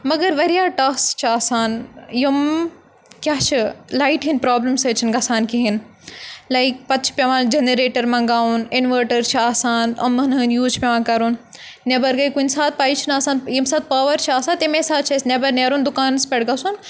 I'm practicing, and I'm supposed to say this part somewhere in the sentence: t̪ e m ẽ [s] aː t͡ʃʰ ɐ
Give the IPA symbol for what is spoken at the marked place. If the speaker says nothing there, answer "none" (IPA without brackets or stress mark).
s